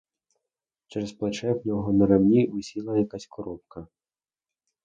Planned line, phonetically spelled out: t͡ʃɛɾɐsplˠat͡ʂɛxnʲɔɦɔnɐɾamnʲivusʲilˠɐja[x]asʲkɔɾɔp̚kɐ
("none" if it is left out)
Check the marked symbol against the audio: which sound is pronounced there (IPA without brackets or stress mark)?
k